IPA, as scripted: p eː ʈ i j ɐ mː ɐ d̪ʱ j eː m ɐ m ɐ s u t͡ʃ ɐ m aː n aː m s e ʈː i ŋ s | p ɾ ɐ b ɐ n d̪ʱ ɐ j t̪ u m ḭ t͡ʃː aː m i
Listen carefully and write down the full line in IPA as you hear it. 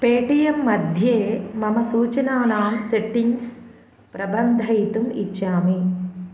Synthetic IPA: p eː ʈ i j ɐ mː ɐ d̪ʱ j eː m ɐ m ɐ s uː t͡ʃ ɐ n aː n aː m s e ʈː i ŋ s | p ɾ ɐ b ɐ n d̪ʱ ɐ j t̪ u m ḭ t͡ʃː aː m i